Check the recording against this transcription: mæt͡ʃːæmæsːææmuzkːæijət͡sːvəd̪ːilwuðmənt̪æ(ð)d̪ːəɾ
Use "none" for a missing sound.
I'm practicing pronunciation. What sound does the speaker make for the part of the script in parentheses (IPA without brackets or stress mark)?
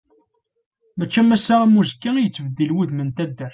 none